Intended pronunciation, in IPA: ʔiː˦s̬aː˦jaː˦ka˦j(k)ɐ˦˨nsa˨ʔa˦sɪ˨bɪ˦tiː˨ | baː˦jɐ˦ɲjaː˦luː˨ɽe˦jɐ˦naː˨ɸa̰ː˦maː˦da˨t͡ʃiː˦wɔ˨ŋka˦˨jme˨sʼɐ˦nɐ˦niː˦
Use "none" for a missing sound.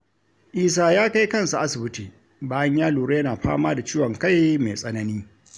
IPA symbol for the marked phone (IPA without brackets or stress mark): k